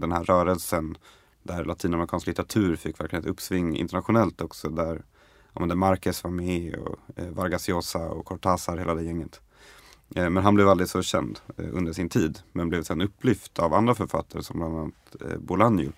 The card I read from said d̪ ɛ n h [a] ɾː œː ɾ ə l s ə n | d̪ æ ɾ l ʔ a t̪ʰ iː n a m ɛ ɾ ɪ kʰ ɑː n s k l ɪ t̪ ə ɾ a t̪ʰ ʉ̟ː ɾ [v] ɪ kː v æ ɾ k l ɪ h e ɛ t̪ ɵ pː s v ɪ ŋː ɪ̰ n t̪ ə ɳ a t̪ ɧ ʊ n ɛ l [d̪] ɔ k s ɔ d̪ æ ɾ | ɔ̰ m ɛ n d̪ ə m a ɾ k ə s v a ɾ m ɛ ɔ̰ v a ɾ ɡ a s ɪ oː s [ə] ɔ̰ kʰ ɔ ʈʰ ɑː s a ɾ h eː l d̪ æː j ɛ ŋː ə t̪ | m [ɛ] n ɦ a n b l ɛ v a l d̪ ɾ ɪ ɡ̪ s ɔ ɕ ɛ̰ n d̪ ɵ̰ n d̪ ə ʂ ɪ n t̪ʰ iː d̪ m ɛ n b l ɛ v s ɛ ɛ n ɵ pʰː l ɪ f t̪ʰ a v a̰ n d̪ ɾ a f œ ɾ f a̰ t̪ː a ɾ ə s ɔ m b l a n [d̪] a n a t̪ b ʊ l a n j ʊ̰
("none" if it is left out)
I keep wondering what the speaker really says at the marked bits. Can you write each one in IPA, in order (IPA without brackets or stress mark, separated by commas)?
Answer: æ, f, t̪, a, ɛ, d̪